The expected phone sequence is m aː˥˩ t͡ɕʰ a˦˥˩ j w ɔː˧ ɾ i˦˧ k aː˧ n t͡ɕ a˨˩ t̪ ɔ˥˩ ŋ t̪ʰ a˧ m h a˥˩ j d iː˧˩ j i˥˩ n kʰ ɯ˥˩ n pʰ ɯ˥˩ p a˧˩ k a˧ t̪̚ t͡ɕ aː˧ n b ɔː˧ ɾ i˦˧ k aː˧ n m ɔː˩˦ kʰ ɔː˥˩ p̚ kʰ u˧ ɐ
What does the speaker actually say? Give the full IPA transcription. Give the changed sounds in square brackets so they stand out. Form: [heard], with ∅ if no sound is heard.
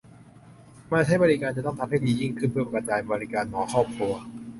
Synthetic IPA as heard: m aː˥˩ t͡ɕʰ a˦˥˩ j [b] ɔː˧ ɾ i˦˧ k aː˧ n t͡ɕ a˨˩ t̪ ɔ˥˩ ŋ t̪ʰ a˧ m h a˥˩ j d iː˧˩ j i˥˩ [ŋ] kʰ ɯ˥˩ n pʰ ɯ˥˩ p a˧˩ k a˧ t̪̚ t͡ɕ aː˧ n b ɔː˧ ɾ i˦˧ k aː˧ n m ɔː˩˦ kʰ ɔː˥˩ p̚ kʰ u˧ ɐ